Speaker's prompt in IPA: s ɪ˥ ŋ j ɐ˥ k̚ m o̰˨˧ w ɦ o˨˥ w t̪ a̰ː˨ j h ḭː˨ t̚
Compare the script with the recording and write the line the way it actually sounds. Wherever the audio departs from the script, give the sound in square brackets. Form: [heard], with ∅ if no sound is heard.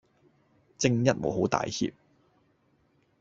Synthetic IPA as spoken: [t͡s] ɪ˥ ŋ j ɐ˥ [t̚] m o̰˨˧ w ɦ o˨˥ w t̪ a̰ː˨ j h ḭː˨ [p̚]

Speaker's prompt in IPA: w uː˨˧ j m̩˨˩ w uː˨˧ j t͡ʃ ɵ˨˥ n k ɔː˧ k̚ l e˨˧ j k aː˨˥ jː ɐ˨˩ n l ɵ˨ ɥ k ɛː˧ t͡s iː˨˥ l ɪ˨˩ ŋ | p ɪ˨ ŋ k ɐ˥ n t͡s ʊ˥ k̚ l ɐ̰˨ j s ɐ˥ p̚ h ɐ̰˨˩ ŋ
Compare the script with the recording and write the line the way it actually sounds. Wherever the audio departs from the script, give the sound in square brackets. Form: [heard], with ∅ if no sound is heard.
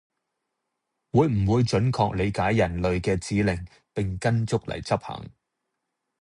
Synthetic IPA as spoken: w uː˨˧ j m̩˨˩ w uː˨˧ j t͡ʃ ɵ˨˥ n [kʰ] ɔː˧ k̚ l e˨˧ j k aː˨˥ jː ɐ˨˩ n l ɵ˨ ɥ k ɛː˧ t͡s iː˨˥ l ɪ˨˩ ŋ | p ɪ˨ ŋ k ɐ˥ n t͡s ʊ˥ k̚ l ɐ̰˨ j [t͡s] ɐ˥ p̚ h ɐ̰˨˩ ŋ

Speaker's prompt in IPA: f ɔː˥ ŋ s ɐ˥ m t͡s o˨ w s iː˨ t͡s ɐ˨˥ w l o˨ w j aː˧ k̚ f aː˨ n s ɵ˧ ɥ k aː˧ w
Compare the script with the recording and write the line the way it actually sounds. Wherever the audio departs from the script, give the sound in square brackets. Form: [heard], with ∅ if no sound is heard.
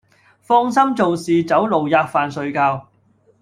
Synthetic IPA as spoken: f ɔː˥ ŋ s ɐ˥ m t͡s o˨ w s iː˨ t͡s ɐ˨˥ w l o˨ w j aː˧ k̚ f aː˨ n s ɵ˧ ɥ k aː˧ w

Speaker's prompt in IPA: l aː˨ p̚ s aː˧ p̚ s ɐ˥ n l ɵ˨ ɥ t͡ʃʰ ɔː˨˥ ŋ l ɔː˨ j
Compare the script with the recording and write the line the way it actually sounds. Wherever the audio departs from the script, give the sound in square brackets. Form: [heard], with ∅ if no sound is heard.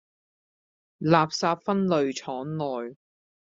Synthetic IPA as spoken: l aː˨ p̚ s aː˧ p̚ [f] ɐ˥ n l ɵ˨ ɥ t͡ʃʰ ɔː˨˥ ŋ l ɔː˨ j

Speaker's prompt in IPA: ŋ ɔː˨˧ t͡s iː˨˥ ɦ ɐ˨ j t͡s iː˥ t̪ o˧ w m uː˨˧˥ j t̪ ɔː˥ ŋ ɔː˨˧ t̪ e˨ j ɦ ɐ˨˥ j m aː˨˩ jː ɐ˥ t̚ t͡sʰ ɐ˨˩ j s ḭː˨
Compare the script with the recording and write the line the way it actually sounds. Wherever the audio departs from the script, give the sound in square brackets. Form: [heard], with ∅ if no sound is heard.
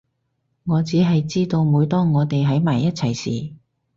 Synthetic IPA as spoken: ŋ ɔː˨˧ t͡s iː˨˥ ɦ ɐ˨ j t͡s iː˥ t̪ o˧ w m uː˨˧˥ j t̪ ɔː˥ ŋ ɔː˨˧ t̪ e˨ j ɦ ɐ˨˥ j m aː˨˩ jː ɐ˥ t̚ t͡sʰ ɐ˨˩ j s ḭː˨

